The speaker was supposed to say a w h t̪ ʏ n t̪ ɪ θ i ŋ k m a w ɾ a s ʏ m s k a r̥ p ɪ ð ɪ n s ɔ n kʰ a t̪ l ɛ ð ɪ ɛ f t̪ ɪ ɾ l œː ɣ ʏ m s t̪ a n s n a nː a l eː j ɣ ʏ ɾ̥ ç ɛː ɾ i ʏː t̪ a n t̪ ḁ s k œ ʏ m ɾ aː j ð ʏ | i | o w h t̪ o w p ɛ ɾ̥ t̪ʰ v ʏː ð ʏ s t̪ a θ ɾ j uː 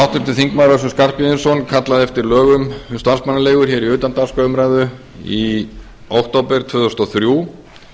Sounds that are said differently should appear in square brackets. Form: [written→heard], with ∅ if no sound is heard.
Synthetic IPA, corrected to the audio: a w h t̪ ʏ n t̪ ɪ θ i ŋ k m a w ɾ a s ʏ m s k a r̥ p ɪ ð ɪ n s ɔ n kʰ a t̪ l [ɛ→a] ð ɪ ɛ f t̪ ɪ ɾ l œː ɣ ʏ m s t̪ a n s [n→m] a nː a l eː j ɣ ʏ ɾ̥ ç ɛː ɾ i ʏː t̪ a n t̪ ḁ s k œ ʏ m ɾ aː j ð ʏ | i | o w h t̪ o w p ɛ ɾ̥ t̪ʰ v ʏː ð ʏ s t̪ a θ ɾ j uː

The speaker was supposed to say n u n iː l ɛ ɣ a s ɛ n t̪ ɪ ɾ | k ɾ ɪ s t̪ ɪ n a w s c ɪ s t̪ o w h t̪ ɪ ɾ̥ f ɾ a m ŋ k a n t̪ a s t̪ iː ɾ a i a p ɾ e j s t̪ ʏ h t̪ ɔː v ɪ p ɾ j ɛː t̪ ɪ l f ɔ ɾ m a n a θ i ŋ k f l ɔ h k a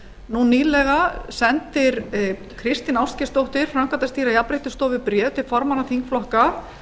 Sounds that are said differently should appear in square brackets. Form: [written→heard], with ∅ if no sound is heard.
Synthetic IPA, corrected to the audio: n u n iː l ɛ ɣ a s ɛ n t̪ ɪ ɾ | [k→kʰ] ɾ ɪ s t̪ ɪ n a w s c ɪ s t̪ o w h t̪ ɪ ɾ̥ f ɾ a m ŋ k a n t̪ a s t̪ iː ɾ a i a p ɾ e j [s→h] t̪ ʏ [h→s] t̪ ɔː v ɪ p ɾ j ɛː t̪ ɪ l f ɔ ɾ m a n a θ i ŋ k f l ɔ h k a

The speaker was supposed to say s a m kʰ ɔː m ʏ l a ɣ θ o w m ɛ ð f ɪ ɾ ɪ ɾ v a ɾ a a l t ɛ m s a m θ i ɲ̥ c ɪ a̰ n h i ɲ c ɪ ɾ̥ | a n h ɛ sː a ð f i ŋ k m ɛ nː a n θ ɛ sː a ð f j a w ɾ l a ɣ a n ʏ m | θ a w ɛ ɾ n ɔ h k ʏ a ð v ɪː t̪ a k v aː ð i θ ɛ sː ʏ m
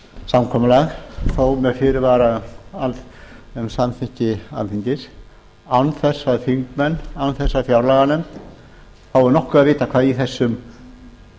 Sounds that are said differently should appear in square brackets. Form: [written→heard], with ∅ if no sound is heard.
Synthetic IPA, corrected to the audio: s a m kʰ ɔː m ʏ l a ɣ θ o w m ɛ ð f ɪ ɾ ɪ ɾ v a ɾ a a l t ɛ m s a m θ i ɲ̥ c ɪ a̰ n [h→θ] i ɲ c ɪ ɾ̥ | a n [h→θ] ɛ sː a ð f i ŋ k m ɛ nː a n θ ɛ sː a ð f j a w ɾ l a ɣ a n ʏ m | θ a w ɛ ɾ n ɔ h k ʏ a ð v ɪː t̪ a [k→kʰ] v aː ð i θ ɛ sː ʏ m

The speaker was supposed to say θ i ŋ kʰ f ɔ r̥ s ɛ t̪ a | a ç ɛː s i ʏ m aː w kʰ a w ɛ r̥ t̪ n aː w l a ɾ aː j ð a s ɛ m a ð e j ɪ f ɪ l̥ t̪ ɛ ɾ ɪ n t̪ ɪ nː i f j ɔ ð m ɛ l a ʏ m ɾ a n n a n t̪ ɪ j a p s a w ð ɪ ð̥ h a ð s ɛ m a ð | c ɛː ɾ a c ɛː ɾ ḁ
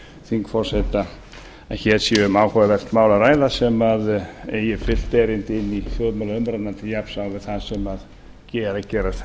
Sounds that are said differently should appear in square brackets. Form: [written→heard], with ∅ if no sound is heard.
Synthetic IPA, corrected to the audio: θ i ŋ [kʰ→k] f ɔ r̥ s ɛ t̪ a | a ç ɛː s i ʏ m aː w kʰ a [w→v] ɛ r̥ t̪ [n→m] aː w l a ɾ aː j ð a s ɛ m a ð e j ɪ f ɪ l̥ t̪ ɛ ɾ ɪ n t̪ ɪ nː i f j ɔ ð m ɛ l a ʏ m ɾ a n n a n t̪ ɪ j a p s a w [ð→v] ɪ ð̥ [h→θ] a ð s ɛ m a ð | c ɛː ɾ a c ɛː ɾ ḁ

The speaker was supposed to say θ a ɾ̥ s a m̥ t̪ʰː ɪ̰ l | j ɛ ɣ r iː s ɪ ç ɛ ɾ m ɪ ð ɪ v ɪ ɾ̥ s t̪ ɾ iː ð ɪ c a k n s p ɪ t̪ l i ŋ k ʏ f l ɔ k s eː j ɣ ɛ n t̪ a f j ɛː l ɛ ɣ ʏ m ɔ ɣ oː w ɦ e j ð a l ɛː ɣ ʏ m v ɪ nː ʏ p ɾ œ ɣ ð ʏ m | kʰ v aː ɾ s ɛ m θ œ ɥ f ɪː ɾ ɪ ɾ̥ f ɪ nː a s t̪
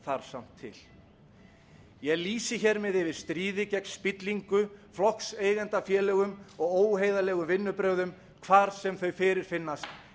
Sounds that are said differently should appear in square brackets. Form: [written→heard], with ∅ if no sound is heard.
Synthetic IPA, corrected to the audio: θ a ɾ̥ s a m̥ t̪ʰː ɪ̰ l | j ɛ ɣ [r→l] iː s ɪ ç ɛ ɾ m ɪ ð ɪ v ɪ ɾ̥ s t̪ ɾ iː ð ɪ c [a→ɛ] k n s p ɪ t̪ l i ŋ k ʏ f l ɔ k s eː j ɣ ɛ n t̪ a f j ɛː l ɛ ɣ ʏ m ɔ ɣ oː w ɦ e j ð a l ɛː ɣ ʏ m v ɪ nː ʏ p ɾ œ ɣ ð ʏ m | kʰ v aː ɾ s ɛ m θ œ ɥ f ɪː ɾ ɪ ɾ̥ f ɪ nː a s t̪

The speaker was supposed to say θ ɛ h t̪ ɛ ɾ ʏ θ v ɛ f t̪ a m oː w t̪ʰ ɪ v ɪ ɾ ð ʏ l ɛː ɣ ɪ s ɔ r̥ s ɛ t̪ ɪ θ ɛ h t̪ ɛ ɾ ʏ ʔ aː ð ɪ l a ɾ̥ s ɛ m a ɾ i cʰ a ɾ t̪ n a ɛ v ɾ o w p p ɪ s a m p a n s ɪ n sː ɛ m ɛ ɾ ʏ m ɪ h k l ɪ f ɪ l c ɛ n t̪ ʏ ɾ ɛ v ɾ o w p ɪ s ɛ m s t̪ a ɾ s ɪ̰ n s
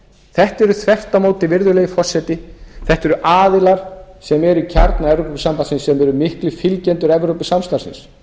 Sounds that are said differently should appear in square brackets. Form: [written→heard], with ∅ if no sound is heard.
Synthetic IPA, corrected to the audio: θ ɛ h t̪ ɛ ɾ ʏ θ v ɛ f t̪ a m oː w [t̪ʰ→t̪] ɪ v ɪ ɾ ð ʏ l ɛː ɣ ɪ [s→f] ɔ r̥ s ɛ t̪ ɪ θ ɛ h t̪ ɛ ɾ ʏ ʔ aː ð ɪ l a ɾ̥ s ɛ m [a→ɛ] ɾ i cʰ a ɾ t̪ n a ɛ v ɾ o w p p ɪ s a m p a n s ɪ n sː ɛ m ɛ ɾ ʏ m ɪ h k l ɪ f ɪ l c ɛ n t̪ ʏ ɾ ɛ v ɾ o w p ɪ s [ɛ→a] m s t̪ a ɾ s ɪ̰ n s

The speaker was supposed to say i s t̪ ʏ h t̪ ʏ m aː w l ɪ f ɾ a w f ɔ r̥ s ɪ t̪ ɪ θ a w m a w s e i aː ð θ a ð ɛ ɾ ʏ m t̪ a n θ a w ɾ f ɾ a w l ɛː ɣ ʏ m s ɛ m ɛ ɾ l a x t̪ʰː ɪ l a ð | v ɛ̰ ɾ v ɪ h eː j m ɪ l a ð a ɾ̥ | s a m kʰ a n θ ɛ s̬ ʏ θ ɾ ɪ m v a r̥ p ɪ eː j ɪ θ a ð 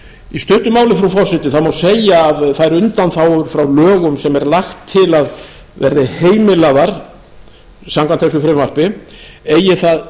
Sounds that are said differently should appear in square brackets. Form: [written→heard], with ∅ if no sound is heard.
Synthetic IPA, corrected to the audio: i s t̪ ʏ h t̪ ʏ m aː w l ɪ f ɾ a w f ɔ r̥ s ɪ t̪ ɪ θ a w m a w s e [i→j] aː ð θ a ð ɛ ɾ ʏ [m→n] t̪ a n θ a w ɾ f ɾ a w l [ɛː→œː] ɣ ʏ m s ɛ m ɛ ɾ l a x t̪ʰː ɪ l a ð | v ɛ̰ ɾ [v→ð] ɪ h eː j m ɪ l a ð a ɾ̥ | s a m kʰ a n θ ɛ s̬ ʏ [θ→f] ɾ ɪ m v a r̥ p ɪ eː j ɪ θ a ð

